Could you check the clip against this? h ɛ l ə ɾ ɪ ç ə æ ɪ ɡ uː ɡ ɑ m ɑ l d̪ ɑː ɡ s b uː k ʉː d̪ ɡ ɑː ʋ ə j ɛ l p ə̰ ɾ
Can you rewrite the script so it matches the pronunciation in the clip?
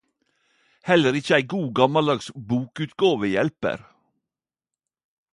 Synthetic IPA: h ɛ l ə ɾ ɪ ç ə æ ɪ ɡ uː ɡ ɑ m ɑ l d̪ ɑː ɡ s b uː k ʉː t̪ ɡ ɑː ʋ ə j ɛ l p ə̰ ɾ